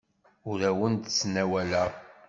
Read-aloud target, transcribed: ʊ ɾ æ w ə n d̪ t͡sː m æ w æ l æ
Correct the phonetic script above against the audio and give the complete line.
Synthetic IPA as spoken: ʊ ɾ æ w ə n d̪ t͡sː n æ w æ l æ